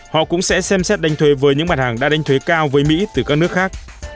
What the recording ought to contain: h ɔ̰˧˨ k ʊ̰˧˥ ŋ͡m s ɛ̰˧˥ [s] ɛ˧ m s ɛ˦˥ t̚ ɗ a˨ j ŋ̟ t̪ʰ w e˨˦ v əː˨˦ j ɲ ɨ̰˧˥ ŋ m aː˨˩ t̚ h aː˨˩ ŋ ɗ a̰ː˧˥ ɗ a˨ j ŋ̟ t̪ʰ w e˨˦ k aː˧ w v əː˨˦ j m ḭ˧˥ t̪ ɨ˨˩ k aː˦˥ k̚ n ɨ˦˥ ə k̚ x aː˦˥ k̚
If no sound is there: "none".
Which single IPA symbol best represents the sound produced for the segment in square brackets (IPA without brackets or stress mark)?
s